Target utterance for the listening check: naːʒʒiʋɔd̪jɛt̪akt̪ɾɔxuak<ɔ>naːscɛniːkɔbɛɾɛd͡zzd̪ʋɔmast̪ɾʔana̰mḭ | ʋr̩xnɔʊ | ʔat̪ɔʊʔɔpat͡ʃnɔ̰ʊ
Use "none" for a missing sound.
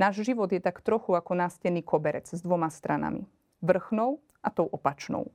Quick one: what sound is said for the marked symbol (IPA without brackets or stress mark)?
ɔ